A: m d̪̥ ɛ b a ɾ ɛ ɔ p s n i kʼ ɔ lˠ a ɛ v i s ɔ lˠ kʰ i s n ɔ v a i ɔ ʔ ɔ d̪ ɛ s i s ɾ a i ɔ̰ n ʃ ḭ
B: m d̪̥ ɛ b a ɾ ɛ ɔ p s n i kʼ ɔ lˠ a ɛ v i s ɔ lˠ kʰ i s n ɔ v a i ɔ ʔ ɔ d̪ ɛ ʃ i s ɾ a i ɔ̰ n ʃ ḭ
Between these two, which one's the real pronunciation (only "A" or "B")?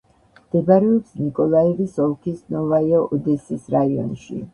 A